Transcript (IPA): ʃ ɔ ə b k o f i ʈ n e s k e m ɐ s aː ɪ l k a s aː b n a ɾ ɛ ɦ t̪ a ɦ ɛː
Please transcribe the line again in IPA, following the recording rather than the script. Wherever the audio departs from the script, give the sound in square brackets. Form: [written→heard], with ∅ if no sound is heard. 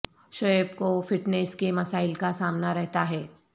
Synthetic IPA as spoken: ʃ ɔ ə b k o f [i→ɪ] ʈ n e s k e m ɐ s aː ɪ l k a s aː [b→m] n a ɾ ɛ ɦ t̪ a ɦ ɛː